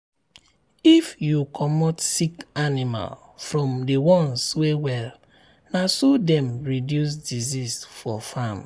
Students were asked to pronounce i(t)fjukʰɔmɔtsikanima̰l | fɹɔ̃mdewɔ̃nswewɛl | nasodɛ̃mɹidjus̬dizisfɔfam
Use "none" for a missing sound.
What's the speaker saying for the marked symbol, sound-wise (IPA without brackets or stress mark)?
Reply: none